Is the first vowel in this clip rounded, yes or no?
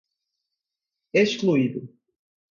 no